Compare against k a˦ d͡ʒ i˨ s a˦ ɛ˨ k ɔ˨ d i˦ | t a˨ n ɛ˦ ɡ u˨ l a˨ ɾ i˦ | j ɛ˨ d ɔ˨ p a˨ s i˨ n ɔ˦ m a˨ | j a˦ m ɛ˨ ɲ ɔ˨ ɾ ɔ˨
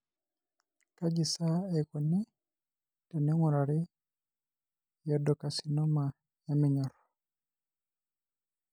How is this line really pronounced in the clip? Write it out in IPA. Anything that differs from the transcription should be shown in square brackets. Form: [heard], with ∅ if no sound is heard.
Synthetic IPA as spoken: k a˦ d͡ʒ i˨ s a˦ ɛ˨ k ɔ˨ [n] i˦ | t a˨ n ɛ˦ [ŋ] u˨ [ɾ] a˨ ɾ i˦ | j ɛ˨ d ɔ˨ [k] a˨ s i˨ n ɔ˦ m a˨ | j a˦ m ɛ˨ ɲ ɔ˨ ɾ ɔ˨